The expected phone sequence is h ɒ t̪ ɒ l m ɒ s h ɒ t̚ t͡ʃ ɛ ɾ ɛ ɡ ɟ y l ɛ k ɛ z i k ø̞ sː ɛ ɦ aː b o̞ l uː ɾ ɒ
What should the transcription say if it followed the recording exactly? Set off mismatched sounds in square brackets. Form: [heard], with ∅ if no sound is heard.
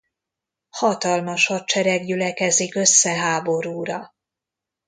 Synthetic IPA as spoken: h ɒ t̪ ɒ l m ɒ [ʃ] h ɒ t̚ t͡ʃ ɛ ɾ ɛ ɡ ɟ y l ɛ k ɛ z i k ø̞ sː ɛ ɦ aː b o̞ [ɾ] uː ɾ ɒ